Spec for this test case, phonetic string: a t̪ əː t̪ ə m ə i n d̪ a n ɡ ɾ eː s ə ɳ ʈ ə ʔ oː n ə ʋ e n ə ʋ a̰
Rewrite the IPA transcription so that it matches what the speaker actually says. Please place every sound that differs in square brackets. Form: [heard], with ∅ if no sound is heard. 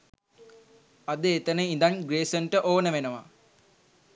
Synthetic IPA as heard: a [d̪] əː t̪ ə [n] ə i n d̪ a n ɡ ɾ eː s ə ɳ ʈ ə ʔ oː n ə ʋ e n ə ʋ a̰